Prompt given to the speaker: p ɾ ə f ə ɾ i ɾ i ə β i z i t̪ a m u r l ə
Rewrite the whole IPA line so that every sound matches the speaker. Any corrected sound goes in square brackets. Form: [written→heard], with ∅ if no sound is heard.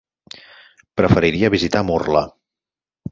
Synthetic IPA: p ɾ ə f ə ɾ i ɾ i ə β i z i t̪ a m u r l ə